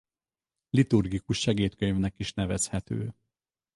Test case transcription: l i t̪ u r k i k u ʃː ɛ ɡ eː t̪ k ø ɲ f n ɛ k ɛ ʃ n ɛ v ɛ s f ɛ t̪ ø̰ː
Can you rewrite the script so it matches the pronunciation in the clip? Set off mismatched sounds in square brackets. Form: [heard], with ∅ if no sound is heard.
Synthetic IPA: l i t̪ u r [ɡ] i k u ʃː ɛ ɡ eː t̪ k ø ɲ [v] n ɛ k [i] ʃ n ɛ v ɛ s [h] ɛ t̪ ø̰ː